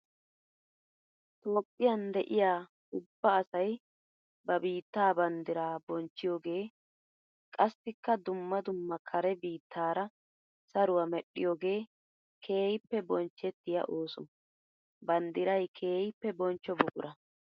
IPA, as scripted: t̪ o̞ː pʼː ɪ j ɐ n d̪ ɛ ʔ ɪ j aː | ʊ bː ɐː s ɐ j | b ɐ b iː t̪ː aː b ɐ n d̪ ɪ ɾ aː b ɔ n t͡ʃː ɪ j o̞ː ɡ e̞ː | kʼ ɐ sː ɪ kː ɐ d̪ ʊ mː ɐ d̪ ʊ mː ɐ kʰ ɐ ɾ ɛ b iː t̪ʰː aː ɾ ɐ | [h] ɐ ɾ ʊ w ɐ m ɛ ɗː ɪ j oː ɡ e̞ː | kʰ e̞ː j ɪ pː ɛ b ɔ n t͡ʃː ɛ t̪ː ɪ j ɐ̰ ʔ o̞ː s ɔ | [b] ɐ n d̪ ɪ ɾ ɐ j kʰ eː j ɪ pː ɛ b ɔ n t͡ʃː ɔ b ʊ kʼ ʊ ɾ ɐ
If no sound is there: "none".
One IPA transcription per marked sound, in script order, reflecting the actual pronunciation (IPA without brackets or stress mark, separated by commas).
s, b